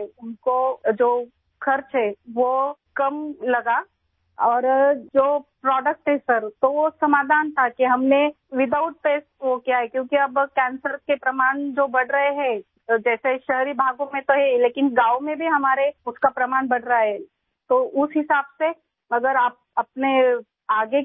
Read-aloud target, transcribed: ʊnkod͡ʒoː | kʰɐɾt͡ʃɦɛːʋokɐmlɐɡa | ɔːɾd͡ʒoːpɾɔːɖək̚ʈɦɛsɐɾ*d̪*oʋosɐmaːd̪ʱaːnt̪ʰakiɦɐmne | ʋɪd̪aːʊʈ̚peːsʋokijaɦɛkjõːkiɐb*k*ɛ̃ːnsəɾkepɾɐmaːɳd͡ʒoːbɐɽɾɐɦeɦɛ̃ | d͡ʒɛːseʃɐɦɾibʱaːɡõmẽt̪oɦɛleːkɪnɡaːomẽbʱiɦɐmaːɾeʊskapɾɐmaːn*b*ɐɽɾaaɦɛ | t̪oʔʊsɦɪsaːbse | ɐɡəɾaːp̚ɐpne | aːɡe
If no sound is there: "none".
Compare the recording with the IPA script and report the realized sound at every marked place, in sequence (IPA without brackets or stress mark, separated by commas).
t̪, k, b